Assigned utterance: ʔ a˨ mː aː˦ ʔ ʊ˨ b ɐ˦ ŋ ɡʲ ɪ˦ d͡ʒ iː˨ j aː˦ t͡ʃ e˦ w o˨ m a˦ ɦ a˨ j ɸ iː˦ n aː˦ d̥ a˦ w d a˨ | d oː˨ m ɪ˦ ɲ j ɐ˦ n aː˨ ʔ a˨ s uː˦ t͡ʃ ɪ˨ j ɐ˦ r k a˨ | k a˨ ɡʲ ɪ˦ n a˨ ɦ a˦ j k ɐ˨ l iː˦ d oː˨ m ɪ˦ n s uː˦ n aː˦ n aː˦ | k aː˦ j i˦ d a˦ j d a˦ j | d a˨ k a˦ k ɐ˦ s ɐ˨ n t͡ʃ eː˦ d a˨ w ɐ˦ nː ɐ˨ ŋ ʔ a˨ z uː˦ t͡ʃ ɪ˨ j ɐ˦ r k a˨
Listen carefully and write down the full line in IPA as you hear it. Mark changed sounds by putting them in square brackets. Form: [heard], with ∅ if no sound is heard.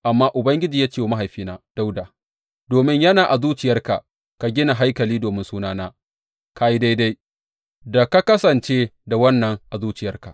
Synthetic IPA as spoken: ʔ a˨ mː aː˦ ʔ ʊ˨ b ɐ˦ ŋ ɡʲ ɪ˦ d͡ʒ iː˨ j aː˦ t͡ʃ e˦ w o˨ m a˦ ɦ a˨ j ɸ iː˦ n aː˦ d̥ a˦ w d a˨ | d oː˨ m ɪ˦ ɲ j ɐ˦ n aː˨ ʔ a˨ [z] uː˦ t͡ʃ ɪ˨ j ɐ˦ r k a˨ | k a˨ ɡʲ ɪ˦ n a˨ ɦ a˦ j k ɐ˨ l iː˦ d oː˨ m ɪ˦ n s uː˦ n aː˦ n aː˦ | k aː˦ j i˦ d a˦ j d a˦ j | d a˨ k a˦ k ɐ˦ s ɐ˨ n t͡ʃ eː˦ d a˨ w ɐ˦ nː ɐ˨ ŋ ʔ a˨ z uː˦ t͡ʃ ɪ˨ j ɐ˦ r k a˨